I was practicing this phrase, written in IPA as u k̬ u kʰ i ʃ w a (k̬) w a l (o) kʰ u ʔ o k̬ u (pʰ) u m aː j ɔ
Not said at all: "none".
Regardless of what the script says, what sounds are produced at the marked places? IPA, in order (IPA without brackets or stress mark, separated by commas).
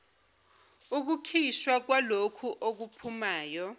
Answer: k̬, o, pʰ